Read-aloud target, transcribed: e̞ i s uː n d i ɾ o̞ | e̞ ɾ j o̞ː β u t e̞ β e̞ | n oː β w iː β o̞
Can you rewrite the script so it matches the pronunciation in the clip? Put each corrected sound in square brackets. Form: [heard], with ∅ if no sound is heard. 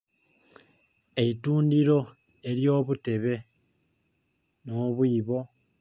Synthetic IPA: e̞ i [t] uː n d i ɾ o̞ | e̞ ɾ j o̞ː β u t e̞ β e̞ | n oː β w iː β o̞